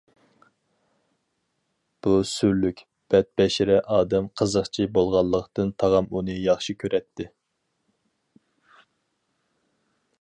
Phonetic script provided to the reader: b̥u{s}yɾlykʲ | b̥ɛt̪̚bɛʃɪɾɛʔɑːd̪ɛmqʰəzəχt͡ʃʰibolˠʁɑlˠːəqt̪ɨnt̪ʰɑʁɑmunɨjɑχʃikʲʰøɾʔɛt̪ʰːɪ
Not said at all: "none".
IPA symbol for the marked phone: s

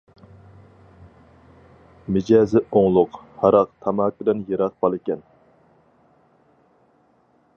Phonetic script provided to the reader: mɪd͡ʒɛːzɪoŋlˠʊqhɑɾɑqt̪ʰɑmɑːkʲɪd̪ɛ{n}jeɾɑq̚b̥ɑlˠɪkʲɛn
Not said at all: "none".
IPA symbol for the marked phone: n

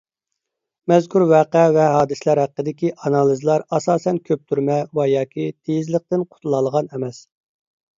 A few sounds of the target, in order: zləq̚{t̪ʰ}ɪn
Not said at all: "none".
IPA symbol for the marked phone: t̪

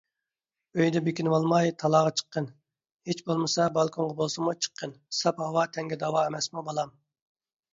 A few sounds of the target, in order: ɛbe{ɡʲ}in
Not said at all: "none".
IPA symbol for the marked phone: kʲ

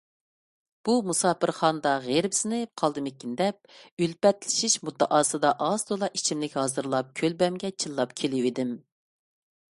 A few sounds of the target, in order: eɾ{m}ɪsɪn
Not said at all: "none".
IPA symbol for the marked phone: b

